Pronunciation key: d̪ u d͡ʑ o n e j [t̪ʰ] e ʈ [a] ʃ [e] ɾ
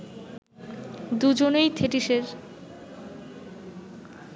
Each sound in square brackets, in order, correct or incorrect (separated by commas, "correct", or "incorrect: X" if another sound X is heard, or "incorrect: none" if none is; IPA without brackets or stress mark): correct, incorrect: i, correct